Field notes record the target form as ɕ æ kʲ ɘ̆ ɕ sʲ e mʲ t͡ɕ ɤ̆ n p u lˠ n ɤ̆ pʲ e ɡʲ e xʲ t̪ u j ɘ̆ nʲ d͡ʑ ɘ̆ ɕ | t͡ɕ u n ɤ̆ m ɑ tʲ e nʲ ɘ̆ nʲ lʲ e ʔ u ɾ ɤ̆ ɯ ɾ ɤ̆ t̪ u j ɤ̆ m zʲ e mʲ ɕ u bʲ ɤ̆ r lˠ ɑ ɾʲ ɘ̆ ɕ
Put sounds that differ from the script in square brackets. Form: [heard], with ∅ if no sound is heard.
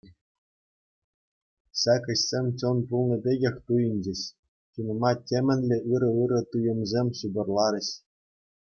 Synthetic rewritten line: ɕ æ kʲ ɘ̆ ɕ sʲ e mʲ t͡ɕ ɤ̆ n p u lˠ n ɤ̆ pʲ e ɡʲ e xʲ t̪ u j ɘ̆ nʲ d͡ʑ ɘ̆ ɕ | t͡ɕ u n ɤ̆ m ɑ tʲ e [mʲ] ɘ̆ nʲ lʲ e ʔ [ɯ] ɾ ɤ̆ ɯ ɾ ɤ̆ t̪ u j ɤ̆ m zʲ e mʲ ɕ u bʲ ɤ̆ r lˠ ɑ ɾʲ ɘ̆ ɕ